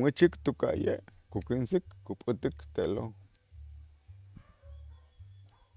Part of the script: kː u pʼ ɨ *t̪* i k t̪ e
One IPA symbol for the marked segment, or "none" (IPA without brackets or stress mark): t̪